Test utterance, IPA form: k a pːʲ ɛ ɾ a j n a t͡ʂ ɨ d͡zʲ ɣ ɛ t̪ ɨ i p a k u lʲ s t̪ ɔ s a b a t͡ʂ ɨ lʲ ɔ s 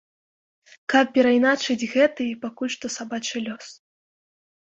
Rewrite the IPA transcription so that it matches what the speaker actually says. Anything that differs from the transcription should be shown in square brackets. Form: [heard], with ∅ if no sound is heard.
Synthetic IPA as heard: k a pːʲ ɛ ɾ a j n a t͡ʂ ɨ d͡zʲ ɣ ɛ t̪ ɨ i p a k u lʲ [ʂ] t̪ ɔ s a b a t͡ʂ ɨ lʲ ɔ s